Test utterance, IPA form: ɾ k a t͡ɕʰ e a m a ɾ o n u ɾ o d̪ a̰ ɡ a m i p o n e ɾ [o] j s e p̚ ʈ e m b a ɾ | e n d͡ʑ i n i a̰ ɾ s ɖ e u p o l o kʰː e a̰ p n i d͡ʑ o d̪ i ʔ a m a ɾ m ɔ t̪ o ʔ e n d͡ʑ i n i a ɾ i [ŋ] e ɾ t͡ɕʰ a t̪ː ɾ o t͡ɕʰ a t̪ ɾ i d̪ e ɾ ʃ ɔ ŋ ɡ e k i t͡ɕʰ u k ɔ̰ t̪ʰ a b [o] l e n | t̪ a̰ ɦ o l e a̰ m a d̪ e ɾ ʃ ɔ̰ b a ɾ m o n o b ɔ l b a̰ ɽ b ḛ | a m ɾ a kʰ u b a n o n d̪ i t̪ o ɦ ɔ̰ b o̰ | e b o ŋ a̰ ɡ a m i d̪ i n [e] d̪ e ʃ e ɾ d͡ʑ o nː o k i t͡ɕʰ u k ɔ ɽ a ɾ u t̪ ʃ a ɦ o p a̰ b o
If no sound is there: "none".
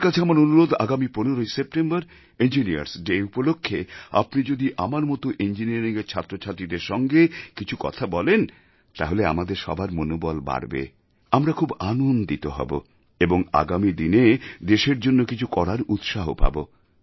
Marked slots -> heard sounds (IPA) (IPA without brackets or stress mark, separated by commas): o, ŋ, ɔ, e